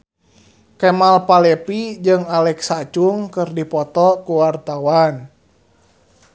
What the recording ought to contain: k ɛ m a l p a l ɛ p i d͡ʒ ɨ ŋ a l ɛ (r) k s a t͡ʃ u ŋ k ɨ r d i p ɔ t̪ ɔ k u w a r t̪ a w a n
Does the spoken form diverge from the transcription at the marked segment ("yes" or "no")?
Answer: yes